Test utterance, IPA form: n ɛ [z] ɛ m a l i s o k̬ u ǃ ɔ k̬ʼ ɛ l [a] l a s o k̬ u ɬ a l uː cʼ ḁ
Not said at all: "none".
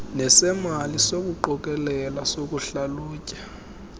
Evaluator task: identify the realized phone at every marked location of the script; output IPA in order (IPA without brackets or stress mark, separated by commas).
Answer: s, ɛ